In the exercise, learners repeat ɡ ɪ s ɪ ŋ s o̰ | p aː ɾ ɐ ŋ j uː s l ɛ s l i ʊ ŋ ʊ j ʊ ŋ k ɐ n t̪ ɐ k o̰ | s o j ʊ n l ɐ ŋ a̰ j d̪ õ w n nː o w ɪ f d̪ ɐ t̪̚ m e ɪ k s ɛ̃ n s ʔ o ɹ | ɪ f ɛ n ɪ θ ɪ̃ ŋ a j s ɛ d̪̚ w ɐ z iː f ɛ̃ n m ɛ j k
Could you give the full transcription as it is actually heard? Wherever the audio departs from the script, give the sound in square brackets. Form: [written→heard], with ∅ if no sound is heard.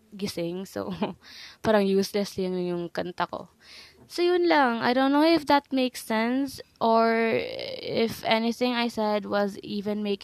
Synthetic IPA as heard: ɡ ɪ s ɪ ŋ s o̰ | p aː ɾ ɐ ŋ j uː s l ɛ s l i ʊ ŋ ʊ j ʊ ŋ k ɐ n t̪ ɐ k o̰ | s o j ʊ n l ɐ ŋ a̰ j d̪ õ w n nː o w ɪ f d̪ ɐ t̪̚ m e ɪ k s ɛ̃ n s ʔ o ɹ | ɪ f ɛ n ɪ θ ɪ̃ ŋ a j s ɛ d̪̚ w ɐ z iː [f→v] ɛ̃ n m [ɛ→e] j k